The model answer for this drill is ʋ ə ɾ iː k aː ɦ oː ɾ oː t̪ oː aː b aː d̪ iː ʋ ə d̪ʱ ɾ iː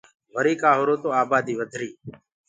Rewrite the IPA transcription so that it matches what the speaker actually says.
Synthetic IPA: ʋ ə ɾ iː k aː ɦ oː ɾ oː t̪ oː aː b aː d̪ iː ʋ ə d̪ʱ ɾ iː

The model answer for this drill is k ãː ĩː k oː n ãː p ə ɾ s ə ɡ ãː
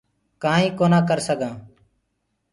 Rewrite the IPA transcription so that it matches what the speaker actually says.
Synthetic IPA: k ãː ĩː k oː n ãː k ə ɾ s ə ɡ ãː

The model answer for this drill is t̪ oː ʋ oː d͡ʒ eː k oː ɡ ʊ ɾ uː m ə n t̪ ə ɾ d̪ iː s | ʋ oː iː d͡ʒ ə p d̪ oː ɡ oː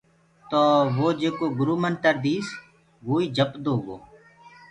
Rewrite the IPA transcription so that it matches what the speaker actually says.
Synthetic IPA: t̪ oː ʋ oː d͡ʒ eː k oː ɡ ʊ ɾ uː m ə n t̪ ə ɾ d̪ iː s | ʋ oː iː d͡ʒ ə p d̪ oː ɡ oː

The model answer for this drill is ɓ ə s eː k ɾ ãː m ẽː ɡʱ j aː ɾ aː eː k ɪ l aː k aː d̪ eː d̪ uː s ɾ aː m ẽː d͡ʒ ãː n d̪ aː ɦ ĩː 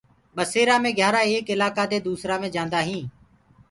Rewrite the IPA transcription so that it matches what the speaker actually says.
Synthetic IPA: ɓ ə s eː ɾ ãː m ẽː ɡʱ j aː ɾ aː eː k ɪ l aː k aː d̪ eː d̪ uː s ɾ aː m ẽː d͡ʒ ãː n d̪ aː ɦ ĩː

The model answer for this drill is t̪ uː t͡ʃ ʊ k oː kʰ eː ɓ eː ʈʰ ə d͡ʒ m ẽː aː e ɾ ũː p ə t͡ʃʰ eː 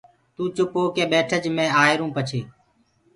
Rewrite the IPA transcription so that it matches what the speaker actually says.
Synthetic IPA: t̪ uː t͡ʃ ʊ p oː k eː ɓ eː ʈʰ ə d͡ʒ m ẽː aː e ɾ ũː p ə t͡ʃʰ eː

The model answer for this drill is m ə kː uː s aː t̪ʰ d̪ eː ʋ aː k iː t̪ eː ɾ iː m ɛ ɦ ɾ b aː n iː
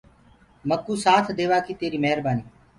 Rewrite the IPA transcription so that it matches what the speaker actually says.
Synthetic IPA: m ə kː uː s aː t̪ʰ d̪ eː ʋ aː k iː t̪ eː ɾ iː m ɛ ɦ ɾ b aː n iː

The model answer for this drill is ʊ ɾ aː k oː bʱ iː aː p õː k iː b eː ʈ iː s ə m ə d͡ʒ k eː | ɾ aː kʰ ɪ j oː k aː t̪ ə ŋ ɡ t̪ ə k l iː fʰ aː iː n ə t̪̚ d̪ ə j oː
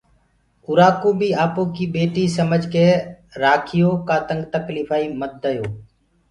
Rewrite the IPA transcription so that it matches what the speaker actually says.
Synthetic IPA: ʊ ɾ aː k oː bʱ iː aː p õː k iː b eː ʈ iː s ə m ə d͡ʒ k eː | ɾ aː kʰ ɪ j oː k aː t̪ ə ŋ ɡ t̪ ə k l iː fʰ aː iː m ə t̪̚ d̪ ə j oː

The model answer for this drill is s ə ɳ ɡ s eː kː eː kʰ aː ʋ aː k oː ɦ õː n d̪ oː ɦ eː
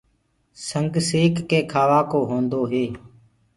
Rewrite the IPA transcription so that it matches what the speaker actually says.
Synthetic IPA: s ə ŋ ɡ s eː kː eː kʰ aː ʋ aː k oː ɦ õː n d̪ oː ɦ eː

